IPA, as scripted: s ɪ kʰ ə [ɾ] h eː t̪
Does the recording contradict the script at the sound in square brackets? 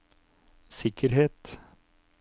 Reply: no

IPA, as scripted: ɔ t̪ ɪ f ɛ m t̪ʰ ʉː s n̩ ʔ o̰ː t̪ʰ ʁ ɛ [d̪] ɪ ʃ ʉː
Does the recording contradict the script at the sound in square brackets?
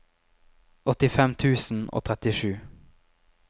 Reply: yes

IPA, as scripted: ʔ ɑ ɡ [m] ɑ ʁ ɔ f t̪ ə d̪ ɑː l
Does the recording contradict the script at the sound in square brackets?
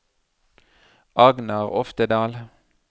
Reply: yes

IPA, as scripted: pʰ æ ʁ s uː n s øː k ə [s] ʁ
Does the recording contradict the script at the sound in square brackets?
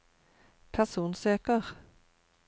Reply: yes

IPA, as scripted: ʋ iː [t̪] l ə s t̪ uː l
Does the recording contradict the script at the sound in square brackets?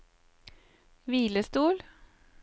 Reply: yes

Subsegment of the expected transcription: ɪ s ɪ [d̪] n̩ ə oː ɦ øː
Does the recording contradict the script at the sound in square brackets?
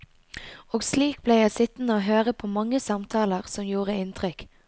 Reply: yes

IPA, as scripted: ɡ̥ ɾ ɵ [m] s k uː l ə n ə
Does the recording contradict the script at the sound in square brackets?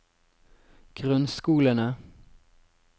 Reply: yes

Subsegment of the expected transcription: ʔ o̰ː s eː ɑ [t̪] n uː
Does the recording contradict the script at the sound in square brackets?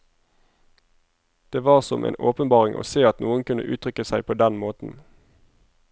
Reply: no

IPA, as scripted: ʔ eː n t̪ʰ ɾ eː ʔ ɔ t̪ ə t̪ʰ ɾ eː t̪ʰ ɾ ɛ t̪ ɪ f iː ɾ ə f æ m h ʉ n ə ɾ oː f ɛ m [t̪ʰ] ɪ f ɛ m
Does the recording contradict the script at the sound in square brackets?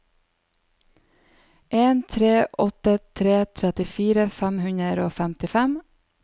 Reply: yes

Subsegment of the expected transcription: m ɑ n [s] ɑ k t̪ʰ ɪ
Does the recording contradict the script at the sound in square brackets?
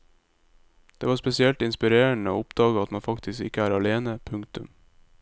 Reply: yes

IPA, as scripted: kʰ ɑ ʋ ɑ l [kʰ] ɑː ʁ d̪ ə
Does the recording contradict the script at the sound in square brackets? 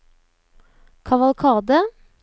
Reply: no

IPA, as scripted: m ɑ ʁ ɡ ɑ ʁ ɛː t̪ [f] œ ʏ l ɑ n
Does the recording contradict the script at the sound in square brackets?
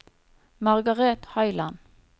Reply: yes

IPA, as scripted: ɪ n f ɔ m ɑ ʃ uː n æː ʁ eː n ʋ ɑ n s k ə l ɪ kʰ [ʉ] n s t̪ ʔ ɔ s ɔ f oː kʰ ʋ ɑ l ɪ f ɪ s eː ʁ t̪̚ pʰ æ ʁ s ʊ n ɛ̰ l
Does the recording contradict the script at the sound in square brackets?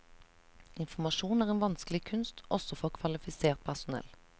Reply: no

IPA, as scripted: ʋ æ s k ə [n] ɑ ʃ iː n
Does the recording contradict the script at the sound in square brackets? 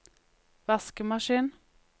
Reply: yes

